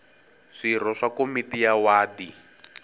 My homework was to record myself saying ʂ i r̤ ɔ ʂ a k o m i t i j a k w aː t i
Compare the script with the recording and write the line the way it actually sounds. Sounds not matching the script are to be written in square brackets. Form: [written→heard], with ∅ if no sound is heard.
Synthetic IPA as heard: ʂ i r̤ ɔ ʂ a k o m i t i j a [k→∅] w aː [t→d] i